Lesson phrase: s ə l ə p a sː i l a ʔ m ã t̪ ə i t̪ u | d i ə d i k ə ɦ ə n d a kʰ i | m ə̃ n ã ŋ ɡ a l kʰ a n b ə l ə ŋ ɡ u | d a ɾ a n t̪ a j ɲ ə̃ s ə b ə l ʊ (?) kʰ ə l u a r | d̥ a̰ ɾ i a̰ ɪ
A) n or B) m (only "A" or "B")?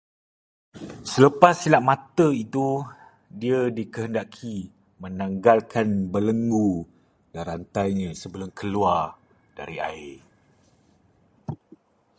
B